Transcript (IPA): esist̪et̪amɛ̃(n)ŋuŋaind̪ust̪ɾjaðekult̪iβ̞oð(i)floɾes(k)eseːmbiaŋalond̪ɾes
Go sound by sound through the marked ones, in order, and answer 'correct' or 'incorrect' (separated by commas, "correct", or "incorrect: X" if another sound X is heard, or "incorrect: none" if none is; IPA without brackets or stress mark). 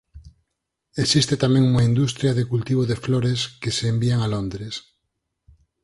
incorrect: none, incorrect: e, correct